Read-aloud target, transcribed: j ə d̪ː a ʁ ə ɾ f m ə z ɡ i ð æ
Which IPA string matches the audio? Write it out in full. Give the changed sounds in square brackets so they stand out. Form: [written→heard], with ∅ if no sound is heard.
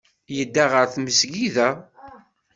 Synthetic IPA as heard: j ə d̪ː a ʁ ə ɾ [f→θ] m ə [z→s] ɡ i ð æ